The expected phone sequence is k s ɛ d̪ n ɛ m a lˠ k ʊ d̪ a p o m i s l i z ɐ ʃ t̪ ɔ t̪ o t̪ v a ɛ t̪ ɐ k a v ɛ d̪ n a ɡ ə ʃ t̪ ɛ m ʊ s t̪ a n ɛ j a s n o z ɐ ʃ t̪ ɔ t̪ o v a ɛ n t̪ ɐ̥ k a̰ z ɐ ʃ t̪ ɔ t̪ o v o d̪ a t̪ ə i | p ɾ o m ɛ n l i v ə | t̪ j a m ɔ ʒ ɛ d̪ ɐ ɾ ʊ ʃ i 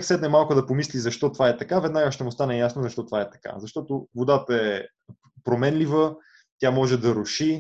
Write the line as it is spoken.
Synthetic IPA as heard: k s ɛ d̪ n ɛ m a lˠ k ʊ d̪ ɐ p o m i s l i z ɐ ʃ t̪ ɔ t̪ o v a ɛ t̪ ɐ k a v ɛ d̪ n a ɡ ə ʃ t̪ ɛ m ʊ s t̪ a n ɛ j a s n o z ɐ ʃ t̪ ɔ t̪ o v a ɛ t̪ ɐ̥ k a̰ z ɐ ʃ t̪ ɔ t̪ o v o d̪ a t̪ ə ɛ | p ɾ o m ɛ n l i v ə | t̪ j a m ɔ ʒ ɛ d̪ ɐ ɾ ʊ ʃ i